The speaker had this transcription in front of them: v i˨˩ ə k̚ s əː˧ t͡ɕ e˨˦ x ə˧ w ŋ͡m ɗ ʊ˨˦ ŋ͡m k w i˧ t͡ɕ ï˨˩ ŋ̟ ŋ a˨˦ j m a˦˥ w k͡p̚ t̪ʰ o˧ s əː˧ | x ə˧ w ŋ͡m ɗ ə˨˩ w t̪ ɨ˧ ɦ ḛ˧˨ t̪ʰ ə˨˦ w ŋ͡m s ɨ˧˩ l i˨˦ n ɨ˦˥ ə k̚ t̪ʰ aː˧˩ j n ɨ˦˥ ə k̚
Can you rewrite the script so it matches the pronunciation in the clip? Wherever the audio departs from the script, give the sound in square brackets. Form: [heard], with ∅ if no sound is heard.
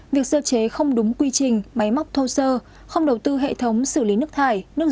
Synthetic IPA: v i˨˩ ə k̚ s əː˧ t͡ɕ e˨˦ x ə˧ w ŋ͡m ɗ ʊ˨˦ ŋ͡m k w i˧ t͡ɕ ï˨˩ ŋ̟ [m] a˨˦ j m a˦˥ w k͡p̚ t̪ʰ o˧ s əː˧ | x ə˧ w ŋ͡m ɗ ə˨˩ w t̪ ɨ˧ ɦ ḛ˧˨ t̪ʰ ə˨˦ w ŋ͡m s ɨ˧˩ l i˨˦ n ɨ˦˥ ə k̚ t̪ʰ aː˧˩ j n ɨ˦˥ ə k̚